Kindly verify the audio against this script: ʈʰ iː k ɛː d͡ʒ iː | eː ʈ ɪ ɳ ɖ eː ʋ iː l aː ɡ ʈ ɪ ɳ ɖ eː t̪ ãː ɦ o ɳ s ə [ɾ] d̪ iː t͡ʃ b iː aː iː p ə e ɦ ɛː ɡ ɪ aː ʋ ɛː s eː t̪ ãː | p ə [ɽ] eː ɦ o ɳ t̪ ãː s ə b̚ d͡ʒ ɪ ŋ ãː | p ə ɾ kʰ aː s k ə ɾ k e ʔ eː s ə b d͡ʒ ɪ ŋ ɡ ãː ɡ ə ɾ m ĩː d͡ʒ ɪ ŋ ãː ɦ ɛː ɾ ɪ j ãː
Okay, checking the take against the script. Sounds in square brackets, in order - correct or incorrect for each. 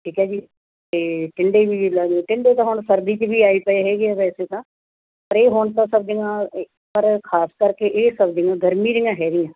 correct, incorrect: ɾ

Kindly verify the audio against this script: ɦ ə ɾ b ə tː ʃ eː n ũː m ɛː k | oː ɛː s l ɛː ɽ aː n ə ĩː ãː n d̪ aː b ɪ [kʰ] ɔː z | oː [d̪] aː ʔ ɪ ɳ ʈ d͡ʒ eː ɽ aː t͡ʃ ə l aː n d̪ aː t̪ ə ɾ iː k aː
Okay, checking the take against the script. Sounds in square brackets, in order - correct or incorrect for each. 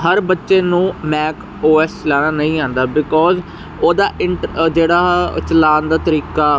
incorrect: k, correct

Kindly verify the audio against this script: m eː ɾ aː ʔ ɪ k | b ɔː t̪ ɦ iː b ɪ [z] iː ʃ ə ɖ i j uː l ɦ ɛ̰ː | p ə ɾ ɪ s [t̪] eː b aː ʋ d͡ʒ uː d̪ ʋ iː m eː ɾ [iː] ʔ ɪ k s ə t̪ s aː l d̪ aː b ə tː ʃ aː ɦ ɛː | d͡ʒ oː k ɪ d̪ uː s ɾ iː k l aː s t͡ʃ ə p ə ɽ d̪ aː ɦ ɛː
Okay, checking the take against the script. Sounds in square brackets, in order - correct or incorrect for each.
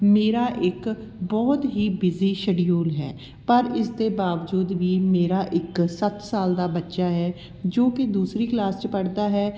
correct, incorrect: d̪, incorrect: aː

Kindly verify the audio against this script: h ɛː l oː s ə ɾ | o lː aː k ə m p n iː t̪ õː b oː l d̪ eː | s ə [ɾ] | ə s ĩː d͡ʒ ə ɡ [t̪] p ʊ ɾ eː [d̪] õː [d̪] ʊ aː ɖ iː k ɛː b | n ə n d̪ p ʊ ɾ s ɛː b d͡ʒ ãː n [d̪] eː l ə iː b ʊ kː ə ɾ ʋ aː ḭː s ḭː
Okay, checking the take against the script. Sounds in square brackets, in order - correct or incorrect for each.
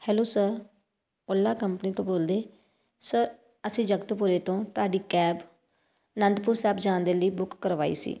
correct, correct, incorrect: t̪, incorrect: t̪, correct

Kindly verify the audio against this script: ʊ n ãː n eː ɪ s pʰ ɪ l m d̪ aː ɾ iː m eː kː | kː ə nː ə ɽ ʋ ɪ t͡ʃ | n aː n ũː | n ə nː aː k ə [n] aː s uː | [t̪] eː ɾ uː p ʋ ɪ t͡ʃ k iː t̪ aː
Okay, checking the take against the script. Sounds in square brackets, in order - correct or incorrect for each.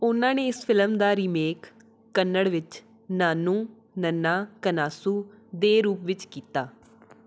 correct, incorrect: d̪

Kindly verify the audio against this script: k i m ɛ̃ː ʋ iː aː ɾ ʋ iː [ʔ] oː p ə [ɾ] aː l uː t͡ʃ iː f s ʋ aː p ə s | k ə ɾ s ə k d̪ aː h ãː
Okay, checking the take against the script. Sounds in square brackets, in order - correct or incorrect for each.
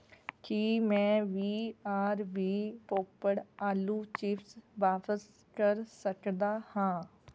incorrect: p, incorrect: ɽ

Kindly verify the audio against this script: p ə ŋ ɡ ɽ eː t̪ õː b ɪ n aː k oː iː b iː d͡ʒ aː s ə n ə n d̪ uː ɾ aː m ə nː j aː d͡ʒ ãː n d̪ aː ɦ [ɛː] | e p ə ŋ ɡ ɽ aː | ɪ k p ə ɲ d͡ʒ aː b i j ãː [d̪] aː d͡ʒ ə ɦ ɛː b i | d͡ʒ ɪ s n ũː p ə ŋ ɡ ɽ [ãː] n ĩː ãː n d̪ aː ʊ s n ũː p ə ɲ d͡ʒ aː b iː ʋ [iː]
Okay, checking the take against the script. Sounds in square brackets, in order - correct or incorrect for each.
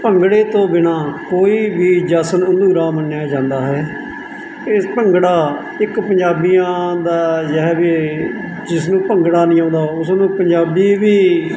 correct, correct, incorrect: aː, correct

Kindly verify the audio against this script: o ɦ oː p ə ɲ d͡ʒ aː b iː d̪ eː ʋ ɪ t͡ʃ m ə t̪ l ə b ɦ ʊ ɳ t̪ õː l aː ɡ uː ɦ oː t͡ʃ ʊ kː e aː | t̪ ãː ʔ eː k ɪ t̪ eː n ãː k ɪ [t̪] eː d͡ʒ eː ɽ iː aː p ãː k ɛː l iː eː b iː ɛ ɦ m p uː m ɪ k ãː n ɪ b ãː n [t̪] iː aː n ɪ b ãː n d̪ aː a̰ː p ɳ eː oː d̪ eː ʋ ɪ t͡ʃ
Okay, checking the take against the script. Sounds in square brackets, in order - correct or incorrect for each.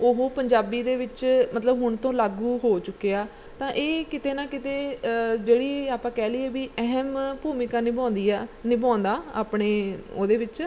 correct, incorrect: d̪

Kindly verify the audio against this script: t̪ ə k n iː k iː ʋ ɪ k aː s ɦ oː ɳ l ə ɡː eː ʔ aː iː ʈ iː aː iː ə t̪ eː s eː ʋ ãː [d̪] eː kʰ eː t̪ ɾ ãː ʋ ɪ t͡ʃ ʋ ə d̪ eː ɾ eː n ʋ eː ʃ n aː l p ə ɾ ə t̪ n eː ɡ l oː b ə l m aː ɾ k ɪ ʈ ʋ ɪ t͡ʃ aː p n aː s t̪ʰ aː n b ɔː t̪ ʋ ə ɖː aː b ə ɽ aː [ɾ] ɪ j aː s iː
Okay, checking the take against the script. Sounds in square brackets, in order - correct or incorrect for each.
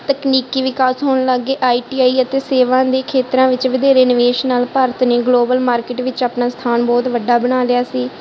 correct, incorrect: l

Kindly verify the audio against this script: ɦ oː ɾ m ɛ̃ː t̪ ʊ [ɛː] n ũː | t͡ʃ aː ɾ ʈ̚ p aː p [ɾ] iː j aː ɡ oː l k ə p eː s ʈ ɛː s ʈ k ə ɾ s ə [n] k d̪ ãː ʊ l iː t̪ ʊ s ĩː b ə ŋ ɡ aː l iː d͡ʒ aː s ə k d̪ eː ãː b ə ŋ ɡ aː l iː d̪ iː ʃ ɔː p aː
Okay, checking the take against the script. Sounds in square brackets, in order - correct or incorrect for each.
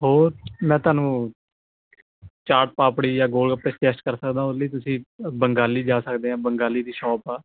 incorrect: aː, incorrect: ɽ, incorrect: none

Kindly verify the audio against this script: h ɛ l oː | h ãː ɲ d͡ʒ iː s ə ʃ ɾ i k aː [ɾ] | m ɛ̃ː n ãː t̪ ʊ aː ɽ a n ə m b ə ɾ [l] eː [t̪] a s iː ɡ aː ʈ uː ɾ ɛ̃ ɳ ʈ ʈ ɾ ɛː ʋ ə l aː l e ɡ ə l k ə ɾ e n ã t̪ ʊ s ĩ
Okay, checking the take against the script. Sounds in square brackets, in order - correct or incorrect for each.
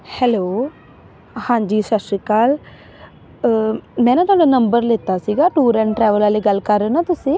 incorrect: l, correct, correct

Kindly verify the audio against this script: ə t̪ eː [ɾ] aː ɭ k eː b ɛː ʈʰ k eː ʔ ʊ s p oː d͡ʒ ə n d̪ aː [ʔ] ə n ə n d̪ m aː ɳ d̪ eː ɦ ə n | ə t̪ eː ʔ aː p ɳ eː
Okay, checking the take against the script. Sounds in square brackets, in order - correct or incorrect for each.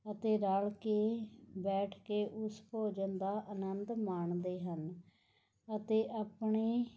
correct, correct

